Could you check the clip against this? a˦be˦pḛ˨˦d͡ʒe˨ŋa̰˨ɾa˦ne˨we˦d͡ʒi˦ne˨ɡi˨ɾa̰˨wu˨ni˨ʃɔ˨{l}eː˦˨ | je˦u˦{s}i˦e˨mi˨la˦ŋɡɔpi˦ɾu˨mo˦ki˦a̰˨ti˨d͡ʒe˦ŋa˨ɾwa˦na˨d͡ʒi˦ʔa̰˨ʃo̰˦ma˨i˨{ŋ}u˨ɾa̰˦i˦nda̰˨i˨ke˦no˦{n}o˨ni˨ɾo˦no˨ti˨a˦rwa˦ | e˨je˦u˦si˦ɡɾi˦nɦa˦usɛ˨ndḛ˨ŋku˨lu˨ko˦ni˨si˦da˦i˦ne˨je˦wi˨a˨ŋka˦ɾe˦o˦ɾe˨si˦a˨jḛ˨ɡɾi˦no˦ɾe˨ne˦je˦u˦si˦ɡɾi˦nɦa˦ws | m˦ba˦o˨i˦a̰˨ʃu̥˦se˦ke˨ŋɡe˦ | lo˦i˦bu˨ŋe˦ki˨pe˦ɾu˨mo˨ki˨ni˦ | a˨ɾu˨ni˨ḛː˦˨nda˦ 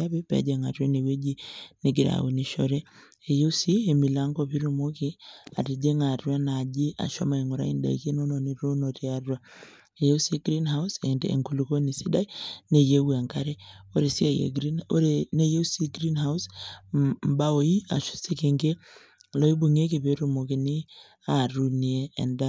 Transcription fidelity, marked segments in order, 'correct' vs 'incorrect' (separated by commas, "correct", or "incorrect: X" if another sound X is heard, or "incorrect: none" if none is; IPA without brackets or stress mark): incorrect: ɾ, correct, correct, correct